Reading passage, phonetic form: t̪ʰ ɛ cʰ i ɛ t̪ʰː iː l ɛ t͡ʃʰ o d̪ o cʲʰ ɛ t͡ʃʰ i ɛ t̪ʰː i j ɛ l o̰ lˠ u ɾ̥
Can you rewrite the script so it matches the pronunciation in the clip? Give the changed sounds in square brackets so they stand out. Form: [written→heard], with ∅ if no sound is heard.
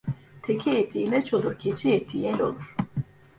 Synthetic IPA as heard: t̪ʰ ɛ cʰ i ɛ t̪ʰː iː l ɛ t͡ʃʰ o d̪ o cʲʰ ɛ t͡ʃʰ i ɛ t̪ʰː i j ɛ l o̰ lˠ u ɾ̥